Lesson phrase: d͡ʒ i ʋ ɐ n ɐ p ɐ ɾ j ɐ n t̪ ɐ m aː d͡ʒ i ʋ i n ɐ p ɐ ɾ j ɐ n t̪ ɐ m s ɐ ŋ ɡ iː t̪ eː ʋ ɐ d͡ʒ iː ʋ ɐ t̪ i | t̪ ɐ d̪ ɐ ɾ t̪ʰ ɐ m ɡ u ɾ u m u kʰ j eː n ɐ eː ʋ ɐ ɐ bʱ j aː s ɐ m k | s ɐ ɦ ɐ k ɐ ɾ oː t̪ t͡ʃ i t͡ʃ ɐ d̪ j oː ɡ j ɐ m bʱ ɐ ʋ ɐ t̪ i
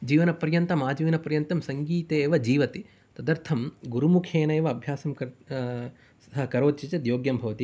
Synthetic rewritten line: d͡ʒ iː ʋ ɐ n ɐ p ɐ ɾ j ɐ n t̪ ɐ m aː d͡ʒ i ʋ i n ɐ p ɐ ɾ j ɐ n t̪ ɐ m s ɐ ŋ ɡ iː t̪ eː ʋ ɐ d͡ʒ iː ʋ ɐ t̪ i | t̪ ɐ d̪ ɐ ɾ t̪ʰ ɐ m ɡ u ɾ u m u kʰ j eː n ɐ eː ʋ ɐ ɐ bʱ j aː s ɐ m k | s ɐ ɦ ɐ k ɐ ɾ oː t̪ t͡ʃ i t͡ʃ ɐ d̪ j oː ɡ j ɐ m bʱ ɐ ʋ ɐ t̪ i